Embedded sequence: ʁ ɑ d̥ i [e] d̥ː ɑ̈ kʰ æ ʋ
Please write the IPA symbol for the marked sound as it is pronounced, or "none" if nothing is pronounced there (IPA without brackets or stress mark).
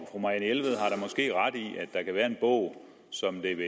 æ